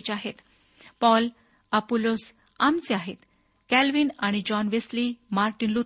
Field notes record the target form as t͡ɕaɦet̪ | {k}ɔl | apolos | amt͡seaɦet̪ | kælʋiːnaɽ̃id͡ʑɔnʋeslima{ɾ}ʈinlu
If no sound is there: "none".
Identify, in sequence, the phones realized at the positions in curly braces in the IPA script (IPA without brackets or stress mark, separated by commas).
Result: p, ɾ